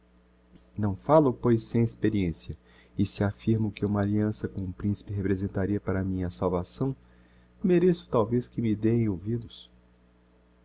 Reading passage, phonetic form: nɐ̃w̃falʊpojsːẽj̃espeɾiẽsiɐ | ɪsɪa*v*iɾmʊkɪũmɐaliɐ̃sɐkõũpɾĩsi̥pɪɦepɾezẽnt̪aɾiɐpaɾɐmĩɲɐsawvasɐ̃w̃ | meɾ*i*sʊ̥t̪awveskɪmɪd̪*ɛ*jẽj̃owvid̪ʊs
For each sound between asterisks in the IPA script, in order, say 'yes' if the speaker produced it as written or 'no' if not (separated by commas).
no, no, no